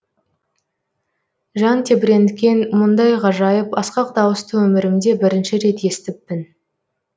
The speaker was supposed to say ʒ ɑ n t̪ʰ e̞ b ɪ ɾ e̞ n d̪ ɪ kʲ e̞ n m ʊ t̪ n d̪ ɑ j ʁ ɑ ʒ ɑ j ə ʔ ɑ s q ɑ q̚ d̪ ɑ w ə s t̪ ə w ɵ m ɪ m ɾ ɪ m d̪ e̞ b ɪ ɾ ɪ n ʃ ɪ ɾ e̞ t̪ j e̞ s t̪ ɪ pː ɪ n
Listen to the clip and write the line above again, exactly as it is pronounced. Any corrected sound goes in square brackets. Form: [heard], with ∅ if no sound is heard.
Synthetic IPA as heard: ʒ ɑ n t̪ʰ e̞ b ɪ ɾ e̞ n d̪ ɪ kʲ e̞ n m ʊ [∅] n d̪ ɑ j ʁ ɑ ʒ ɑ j ə [p] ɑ s q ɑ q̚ d̪ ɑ w ə s t̪ ə w ɵ m ɪ [∅] ɾ ɪ m d̪ e̞ b ɪ ɾ ɪ n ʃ ɪ ɾ e̞ t̪ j e̞ s t̪ ɪ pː ɪ n